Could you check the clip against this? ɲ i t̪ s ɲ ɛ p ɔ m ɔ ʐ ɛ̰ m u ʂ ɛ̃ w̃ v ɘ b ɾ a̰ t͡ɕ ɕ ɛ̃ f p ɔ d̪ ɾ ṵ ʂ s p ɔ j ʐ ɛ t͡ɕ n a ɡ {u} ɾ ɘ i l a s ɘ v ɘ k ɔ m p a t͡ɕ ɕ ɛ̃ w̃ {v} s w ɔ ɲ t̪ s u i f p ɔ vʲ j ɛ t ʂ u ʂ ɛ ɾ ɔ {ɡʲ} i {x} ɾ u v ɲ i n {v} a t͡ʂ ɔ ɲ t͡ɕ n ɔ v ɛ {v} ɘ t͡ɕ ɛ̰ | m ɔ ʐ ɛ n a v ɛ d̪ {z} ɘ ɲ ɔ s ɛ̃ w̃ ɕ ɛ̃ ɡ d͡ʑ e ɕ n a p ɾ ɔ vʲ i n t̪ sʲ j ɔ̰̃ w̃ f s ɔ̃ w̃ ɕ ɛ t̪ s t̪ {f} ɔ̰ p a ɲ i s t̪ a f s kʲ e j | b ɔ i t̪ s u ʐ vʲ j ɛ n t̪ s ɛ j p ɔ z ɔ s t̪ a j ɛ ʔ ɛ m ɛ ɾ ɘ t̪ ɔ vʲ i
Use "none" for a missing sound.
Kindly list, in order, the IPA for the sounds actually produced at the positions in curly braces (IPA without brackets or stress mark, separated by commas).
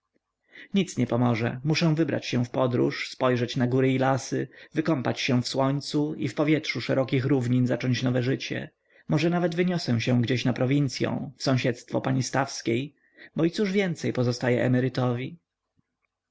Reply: u, f, kʲ, x, z, ʐ, v, f